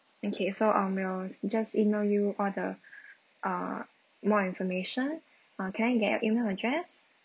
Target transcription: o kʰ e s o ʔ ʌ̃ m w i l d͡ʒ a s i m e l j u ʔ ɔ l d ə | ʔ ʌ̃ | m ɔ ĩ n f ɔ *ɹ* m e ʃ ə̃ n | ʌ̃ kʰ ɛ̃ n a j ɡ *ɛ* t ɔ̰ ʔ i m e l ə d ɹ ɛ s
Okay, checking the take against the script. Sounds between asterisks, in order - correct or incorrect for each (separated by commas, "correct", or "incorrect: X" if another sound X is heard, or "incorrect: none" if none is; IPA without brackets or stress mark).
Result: incorrect: none, correct